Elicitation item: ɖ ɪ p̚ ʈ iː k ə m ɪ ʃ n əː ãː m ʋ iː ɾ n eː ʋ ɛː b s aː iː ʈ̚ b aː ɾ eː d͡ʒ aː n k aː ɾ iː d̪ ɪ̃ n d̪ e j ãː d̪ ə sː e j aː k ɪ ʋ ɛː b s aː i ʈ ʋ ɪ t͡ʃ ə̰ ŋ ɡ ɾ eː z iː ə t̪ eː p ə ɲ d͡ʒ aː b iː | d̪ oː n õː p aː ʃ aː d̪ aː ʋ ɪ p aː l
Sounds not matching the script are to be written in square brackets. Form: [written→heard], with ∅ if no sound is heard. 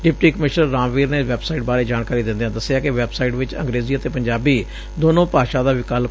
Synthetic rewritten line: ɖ ɪ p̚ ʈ iː k ə m ɪ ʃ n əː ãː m ʋ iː ɾ n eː ʋ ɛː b s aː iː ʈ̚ b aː ɾ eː d͡ʒ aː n k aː ɾ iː d̪ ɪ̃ n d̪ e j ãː d̪ ə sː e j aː k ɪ ʋ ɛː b s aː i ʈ ʋ ɪ t͡ʃ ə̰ ŋ ɡ ɾ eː z iː ə t̪ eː p ə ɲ d͡ʒ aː b iː | d̪ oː n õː p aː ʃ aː d̪ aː ʋ ɪ [p→k] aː l